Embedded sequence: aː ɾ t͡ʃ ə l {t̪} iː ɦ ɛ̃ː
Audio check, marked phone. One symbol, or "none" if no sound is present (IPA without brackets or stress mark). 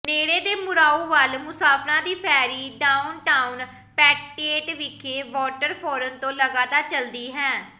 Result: d̪